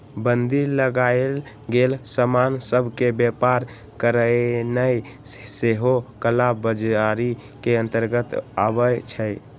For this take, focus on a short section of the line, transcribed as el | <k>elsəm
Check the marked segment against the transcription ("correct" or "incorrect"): incorrect